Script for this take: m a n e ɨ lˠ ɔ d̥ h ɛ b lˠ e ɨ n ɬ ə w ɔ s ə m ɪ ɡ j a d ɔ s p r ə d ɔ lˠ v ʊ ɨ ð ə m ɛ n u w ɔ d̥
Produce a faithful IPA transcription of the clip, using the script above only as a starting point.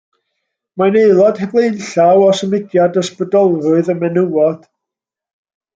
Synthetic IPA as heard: m a n e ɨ lˠ ɔ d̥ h ɛ b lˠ e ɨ n ɬ a w ɔ s ə m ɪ ɡ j a d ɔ s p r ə d ɔ lˠ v ʊ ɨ ð ə m ɛ n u w ɔ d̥